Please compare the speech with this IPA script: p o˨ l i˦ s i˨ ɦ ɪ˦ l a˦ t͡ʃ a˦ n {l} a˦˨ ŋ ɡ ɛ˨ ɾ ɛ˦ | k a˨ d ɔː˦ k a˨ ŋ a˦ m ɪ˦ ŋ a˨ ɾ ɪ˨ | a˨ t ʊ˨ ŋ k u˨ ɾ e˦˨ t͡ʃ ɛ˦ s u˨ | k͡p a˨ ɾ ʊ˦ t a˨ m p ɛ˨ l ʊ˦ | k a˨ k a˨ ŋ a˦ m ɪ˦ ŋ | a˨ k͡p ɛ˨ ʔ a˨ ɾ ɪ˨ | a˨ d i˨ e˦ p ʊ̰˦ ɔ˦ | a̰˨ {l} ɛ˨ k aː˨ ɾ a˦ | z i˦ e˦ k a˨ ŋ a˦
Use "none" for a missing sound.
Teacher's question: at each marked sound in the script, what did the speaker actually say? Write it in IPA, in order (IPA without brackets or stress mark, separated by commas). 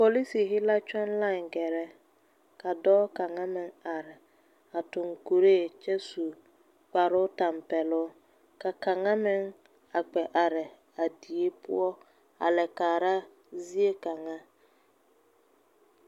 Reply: l, l